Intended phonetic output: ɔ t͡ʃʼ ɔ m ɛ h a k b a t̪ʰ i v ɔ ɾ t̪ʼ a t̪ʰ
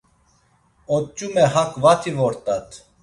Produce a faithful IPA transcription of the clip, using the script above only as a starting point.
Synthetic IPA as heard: ɔ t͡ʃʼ u m ɛ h a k v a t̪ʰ i v ɔ ɾ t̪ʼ a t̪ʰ